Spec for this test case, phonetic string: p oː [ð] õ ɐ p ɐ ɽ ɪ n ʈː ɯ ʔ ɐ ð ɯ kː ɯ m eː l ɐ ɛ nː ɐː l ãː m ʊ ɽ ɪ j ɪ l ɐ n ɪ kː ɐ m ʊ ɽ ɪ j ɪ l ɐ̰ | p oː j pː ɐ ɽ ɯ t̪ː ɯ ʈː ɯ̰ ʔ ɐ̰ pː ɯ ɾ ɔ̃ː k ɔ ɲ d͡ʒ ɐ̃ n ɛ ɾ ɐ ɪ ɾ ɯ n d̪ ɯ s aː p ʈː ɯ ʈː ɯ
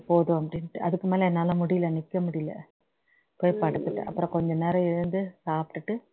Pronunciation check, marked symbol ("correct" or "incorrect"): correct